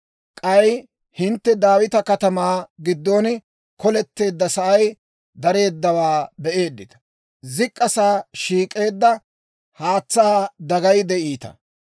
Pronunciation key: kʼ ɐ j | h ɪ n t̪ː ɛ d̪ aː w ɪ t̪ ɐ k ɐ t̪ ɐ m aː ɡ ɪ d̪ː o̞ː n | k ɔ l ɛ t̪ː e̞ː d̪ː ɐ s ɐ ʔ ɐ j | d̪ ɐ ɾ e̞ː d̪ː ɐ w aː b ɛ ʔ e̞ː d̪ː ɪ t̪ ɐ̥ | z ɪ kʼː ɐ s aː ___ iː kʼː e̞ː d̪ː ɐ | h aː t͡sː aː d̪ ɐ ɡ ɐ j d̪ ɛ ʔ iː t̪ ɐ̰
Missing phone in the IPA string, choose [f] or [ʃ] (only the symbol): ʃ